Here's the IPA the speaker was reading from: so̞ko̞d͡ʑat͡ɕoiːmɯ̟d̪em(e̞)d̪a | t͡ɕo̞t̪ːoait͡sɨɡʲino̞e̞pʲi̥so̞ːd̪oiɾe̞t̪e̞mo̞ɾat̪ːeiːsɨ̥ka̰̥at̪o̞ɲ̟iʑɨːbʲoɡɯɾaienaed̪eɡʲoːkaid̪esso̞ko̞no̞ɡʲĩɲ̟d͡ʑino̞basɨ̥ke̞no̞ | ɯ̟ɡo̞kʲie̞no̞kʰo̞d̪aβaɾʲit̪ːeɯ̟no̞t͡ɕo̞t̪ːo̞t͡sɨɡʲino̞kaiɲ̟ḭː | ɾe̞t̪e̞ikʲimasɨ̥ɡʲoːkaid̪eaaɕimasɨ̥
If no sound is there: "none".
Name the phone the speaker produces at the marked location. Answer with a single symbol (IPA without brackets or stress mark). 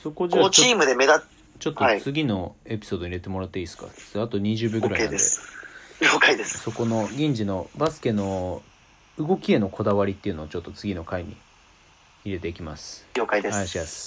e̞